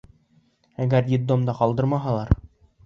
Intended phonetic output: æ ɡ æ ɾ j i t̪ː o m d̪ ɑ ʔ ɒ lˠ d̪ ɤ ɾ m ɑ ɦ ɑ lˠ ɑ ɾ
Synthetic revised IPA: æ ɡ æ ɾ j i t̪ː o m d̪ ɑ q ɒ lˠ d̪ ɤ ɾ m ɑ ɦ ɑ lˠ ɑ ɾ